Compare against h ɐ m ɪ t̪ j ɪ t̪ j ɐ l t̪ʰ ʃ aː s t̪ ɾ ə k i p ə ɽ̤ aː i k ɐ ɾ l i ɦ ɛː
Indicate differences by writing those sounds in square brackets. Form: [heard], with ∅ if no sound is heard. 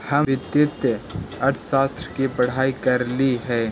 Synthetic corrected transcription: h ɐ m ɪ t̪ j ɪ t̪ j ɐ [ɾ] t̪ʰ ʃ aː s t̪ ɾ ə k i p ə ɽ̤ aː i k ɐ ɾ l i ɦ ɛː

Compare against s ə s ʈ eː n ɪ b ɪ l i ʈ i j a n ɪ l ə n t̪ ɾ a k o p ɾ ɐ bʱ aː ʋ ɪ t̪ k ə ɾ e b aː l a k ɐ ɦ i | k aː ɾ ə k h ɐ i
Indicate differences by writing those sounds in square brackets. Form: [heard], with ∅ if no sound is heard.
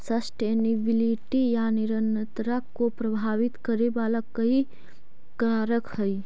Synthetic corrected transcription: s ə s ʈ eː n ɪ b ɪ l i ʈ i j a n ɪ [ɾ] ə n t̪ ɾ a k o p ɾ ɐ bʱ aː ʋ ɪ t̪ k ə ɾ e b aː l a k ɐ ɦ i | k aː ɾ ə k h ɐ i

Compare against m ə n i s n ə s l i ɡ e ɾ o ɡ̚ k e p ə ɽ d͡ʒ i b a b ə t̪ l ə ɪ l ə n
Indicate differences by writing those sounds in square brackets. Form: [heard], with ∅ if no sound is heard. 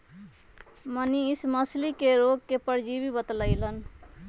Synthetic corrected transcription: m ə n i s [m] ə s l i [k] e ɾ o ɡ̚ k e p ə [ɾ] d͡ʒ i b [i] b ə t̪ l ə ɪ l ə n

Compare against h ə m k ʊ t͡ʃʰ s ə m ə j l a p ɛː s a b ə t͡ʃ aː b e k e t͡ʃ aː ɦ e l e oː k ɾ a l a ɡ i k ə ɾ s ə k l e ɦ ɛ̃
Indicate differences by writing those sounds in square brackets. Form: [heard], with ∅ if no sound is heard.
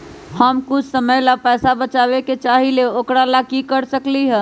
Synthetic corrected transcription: h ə m k ʊ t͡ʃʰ s ə m ə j l a p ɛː s a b ə t͡ʃ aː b e k e t͡ʃ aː ɦ [i] l e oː k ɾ a l a [k] i k ə ɾ s ə k l [i] ɦ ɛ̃

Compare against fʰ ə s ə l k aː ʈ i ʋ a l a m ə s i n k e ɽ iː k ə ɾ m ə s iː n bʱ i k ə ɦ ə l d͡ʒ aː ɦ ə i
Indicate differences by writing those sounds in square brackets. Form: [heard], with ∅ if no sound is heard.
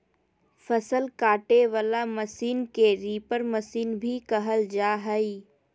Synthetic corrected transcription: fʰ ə s ə l k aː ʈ [e] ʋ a l a m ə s [iː] n k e [ɾ] iː [p] ə ɾ m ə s iː n bʱ i k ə ɦ ə l d͡ʒ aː ɦ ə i

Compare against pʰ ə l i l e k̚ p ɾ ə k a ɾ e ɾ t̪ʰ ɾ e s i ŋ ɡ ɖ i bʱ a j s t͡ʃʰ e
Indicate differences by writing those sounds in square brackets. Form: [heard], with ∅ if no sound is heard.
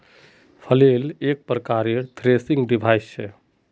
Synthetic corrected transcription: pʰ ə l [e] l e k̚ p ɾ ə k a ɾ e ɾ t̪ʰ ɾ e s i ŋ ɡ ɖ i bʱ a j s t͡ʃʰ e

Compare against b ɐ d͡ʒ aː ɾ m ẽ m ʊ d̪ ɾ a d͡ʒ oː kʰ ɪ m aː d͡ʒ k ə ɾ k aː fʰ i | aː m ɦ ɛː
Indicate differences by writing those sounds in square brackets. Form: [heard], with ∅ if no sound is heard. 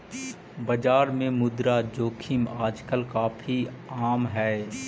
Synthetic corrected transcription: b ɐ d͡ʒ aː ɾ m ẽ m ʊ d̪ ɾ a d͡ʒ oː kʰ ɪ m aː d͡ʒ k ə [l] k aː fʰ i | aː m ɦ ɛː

